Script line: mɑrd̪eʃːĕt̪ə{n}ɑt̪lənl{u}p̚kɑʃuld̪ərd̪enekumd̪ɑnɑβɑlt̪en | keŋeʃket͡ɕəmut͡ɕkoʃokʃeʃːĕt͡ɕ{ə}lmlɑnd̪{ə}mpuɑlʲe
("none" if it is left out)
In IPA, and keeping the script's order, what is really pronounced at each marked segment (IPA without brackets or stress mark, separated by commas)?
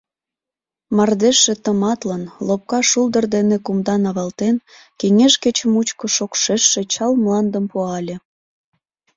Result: m, o, ɑ, ə